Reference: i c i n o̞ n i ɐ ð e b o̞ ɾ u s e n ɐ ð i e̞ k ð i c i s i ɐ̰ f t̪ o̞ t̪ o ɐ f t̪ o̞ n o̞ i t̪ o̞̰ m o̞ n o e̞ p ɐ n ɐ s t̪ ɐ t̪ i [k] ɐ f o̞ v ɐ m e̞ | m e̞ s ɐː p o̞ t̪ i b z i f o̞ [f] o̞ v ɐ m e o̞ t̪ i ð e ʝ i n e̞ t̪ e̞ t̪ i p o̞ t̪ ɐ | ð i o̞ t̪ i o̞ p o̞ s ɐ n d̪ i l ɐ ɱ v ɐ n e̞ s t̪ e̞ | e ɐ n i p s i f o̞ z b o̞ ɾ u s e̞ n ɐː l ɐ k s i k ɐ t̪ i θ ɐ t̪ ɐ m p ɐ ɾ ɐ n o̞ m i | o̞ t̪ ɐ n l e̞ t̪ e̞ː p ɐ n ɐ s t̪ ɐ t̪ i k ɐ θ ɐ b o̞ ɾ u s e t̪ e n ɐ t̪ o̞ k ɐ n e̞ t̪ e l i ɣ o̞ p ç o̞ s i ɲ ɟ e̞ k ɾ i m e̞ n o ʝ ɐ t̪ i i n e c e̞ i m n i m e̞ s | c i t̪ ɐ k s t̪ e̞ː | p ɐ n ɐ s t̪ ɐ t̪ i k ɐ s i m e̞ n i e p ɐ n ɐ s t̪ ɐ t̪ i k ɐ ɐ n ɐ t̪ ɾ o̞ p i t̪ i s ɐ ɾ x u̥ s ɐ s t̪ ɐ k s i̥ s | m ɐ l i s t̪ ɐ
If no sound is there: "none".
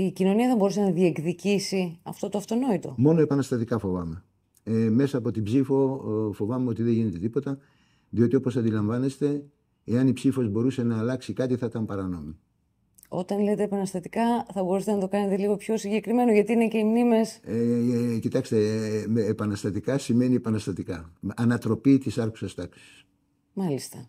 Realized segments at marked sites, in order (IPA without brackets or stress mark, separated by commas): k, f